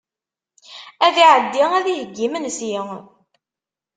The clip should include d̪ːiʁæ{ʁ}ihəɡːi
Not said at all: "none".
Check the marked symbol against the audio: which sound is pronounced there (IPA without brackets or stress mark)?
ð